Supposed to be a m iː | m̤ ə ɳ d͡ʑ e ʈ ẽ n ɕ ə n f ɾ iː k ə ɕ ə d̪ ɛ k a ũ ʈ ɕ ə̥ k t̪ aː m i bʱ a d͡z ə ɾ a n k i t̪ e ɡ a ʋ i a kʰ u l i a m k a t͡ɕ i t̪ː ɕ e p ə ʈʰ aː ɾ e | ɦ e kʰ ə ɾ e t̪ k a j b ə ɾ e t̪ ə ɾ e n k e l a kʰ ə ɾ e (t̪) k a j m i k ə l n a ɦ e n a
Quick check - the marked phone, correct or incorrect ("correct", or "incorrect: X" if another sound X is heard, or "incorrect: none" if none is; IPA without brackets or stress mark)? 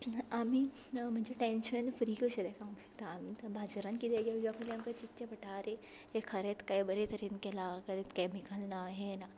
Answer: correct